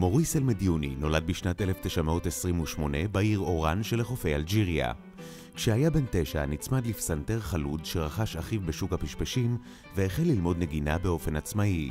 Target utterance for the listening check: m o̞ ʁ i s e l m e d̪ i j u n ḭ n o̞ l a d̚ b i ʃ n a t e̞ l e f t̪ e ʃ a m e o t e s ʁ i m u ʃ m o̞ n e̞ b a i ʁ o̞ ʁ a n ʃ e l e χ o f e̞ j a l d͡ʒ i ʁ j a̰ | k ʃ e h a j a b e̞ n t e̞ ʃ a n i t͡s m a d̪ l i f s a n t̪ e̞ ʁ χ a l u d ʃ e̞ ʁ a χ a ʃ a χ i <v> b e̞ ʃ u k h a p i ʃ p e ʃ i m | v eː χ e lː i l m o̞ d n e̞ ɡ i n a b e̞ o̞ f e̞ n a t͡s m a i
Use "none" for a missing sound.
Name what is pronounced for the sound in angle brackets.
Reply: v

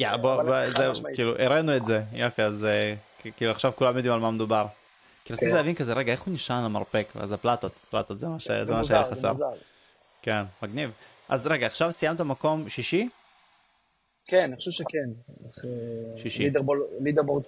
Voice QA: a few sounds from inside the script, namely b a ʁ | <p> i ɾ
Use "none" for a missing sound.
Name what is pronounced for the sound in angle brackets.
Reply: k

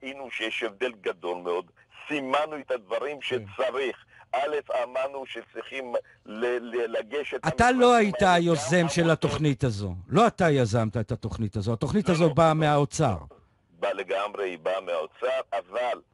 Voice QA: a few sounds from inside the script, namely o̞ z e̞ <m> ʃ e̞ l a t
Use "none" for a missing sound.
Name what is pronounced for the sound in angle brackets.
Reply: m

